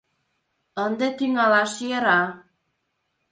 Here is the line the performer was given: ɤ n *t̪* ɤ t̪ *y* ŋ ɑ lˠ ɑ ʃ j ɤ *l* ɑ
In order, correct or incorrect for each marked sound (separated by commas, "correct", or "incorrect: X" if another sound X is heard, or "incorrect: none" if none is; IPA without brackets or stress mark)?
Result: incorrect: d̪, incorrect: i, incorrect: ɾ